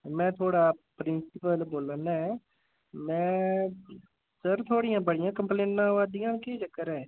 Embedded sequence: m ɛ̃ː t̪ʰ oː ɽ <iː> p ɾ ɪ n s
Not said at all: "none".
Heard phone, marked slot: aː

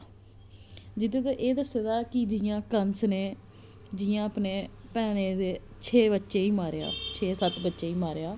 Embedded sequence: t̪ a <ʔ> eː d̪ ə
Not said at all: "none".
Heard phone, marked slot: ʔ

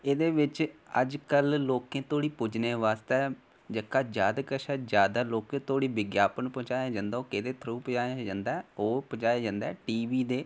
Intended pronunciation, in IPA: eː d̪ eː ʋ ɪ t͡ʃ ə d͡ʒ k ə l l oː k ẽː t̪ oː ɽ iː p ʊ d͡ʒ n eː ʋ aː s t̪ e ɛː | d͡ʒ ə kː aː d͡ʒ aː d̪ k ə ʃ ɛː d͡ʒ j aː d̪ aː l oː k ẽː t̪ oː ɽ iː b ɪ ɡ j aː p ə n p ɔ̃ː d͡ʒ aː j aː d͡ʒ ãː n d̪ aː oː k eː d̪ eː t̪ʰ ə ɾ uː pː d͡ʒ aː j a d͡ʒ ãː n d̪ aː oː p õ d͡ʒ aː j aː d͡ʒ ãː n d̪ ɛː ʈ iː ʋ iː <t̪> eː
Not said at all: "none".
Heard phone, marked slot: d̪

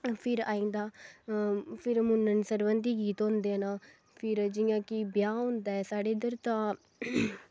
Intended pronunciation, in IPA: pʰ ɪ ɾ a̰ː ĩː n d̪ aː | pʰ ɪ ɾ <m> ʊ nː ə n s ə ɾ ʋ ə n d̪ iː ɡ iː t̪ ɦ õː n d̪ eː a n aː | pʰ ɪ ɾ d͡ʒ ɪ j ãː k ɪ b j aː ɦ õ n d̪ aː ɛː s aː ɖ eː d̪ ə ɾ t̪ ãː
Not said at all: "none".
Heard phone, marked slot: m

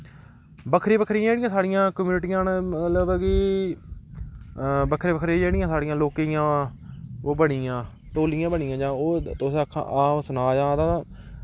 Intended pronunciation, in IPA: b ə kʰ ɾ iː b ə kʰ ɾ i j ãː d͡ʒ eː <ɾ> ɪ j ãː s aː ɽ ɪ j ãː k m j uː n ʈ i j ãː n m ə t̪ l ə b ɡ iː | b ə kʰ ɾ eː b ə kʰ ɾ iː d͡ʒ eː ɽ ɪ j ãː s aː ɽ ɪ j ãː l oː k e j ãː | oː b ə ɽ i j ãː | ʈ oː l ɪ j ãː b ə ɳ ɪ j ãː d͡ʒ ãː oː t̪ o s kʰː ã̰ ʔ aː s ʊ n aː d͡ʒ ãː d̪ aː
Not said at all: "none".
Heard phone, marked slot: ɽ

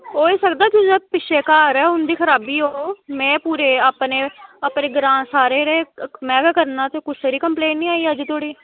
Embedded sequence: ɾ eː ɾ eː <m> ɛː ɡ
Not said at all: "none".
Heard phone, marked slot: m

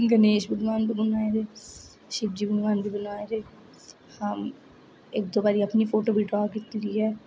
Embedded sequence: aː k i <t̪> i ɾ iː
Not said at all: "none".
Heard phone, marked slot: t̪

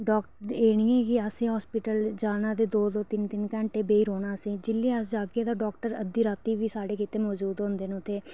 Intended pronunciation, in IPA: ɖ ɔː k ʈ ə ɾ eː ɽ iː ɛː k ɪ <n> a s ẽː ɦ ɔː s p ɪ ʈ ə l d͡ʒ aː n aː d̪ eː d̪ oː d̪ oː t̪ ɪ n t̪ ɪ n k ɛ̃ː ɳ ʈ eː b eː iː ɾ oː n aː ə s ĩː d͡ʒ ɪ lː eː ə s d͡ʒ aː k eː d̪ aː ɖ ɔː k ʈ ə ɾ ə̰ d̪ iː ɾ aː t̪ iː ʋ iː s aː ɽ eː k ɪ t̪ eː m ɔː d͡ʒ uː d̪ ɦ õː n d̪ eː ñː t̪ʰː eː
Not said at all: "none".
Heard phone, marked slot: none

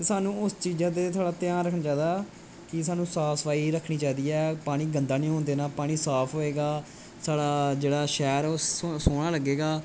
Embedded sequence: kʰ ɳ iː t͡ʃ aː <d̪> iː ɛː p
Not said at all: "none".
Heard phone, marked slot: d̪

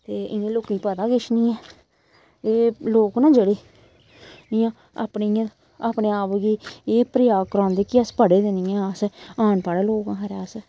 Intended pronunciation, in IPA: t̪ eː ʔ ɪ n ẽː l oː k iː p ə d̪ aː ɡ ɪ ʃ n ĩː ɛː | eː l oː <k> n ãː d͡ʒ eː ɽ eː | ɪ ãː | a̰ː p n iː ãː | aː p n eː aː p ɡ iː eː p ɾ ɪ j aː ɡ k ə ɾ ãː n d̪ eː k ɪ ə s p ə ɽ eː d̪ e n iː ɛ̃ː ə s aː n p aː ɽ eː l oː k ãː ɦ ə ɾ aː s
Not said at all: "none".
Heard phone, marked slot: k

